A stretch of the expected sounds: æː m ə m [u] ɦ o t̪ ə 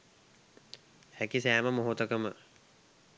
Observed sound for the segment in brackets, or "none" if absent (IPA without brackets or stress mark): o